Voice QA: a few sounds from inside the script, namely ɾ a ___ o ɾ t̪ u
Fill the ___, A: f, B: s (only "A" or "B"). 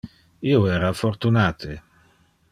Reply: A